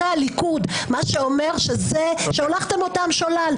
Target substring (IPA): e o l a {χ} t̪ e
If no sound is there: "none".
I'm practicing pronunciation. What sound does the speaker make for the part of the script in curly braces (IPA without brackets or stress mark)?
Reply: χ